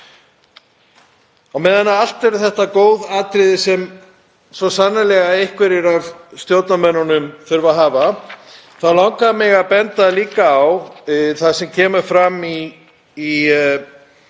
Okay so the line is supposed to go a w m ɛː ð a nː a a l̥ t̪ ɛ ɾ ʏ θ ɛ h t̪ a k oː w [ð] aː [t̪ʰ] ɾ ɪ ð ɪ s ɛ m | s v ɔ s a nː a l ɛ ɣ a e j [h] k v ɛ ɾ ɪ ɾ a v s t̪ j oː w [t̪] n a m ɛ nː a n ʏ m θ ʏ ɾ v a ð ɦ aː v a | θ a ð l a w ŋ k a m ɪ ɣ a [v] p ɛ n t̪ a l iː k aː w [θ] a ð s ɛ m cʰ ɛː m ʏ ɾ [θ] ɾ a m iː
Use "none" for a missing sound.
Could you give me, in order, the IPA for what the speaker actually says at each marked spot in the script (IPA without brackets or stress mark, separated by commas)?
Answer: ð, t̪, h, t̪, ð, θ, f